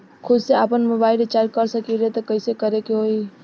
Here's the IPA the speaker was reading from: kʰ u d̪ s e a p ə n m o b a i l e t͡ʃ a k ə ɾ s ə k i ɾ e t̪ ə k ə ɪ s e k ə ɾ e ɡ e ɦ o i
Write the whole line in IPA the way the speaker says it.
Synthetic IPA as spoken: kʰ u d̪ s e a p ə n m o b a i l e t͡ʃ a k ə ɾ s ə k i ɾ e t̪ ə k ə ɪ s e k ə ɾ e k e ɦ o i